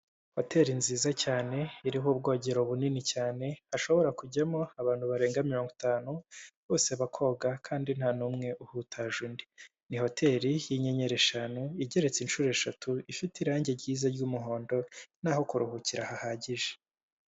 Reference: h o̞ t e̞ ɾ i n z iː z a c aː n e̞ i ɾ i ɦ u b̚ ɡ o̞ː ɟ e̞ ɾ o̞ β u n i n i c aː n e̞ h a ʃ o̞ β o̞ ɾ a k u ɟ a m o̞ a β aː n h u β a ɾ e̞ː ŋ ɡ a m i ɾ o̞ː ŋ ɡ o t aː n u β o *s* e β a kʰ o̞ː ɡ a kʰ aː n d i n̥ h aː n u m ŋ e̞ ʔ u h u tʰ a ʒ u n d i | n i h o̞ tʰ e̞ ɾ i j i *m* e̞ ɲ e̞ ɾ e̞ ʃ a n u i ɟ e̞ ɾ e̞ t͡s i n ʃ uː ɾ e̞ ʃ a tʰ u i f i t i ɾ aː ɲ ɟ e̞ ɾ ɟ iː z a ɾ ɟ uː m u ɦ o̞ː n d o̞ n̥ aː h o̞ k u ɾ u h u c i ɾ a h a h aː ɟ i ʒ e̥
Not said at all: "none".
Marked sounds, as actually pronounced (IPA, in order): s, ɲ

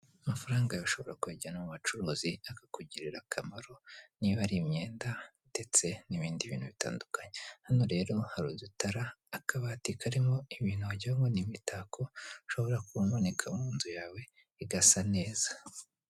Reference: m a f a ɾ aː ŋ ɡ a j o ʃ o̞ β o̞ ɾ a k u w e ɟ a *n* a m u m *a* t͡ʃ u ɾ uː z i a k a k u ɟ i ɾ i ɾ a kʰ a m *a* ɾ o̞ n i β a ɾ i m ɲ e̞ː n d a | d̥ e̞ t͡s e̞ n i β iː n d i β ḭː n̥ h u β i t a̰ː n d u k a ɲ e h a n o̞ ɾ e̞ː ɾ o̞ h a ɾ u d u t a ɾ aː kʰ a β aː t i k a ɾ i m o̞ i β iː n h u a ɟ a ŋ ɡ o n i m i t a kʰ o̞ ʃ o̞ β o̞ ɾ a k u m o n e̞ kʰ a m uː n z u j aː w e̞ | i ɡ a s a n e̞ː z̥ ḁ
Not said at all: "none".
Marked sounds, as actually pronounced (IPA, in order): n, a, a

